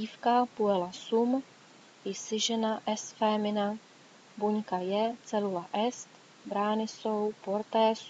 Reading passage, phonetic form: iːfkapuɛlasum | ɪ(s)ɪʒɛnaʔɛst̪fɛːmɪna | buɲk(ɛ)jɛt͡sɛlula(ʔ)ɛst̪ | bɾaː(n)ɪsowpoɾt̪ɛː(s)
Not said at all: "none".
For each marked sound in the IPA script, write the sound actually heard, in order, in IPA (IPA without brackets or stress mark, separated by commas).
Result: s, a, ʔ, n, s